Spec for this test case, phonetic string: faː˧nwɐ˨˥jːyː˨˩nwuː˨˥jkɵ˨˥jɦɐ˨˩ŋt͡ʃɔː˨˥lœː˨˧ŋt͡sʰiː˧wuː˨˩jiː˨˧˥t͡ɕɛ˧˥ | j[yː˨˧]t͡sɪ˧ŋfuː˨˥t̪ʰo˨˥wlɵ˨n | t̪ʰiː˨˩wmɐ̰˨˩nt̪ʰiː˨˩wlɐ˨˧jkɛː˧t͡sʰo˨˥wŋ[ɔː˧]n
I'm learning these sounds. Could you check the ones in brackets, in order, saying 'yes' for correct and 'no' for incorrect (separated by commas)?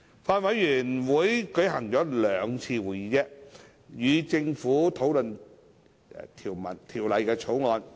yes, yes